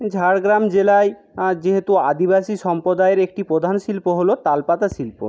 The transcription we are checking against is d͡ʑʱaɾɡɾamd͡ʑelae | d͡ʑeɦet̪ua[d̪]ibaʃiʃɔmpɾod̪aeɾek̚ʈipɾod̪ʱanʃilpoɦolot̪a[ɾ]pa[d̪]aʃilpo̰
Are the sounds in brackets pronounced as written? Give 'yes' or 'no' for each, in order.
yes, no, no

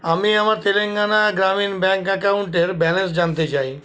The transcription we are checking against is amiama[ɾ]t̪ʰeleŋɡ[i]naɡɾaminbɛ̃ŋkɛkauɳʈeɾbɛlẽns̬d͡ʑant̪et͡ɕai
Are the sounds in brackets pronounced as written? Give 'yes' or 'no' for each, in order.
yes, no

